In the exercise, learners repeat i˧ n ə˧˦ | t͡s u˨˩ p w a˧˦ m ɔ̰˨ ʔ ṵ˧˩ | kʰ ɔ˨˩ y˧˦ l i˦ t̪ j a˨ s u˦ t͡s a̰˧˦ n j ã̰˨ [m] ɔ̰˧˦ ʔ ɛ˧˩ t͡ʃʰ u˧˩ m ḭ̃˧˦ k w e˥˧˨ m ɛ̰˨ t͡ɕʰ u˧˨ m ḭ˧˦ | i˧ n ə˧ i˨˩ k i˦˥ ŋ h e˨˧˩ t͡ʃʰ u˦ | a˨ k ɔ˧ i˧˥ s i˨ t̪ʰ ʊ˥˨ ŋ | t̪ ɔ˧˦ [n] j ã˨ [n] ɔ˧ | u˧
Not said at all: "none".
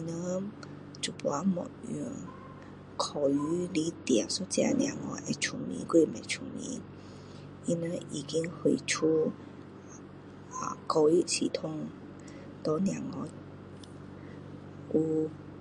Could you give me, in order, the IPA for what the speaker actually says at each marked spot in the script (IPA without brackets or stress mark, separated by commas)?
ŋ, n, ŋ